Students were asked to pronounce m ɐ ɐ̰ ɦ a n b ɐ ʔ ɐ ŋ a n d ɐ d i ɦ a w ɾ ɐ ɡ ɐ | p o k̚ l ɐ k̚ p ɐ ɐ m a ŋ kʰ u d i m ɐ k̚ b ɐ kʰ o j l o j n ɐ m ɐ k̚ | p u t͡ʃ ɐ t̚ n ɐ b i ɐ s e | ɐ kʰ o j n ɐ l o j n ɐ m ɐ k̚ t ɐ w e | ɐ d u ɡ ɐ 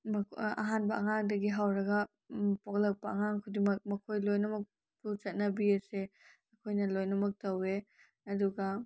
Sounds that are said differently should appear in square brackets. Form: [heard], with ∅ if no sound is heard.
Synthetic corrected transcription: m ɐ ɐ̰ ɦ a n b ɐ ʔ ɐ ŋ a [ŋ] d ɐ [ɡ] i ɦ a w ɾ ɐ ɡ ɐ | p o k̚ l ɐ k̚ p ɐ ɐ [ŋ] a ŋ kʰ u d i m ɐ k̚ [m] ɐ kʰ o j l o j n ɐ m ɐ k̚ | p u t͡ʃ ɐ t̚ n ɐ b i ɐ s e | ɐ kʰ o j n ɐ l o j n ɐ m ɐ k̚ t ɐ w e | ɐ d u ɡ ɐ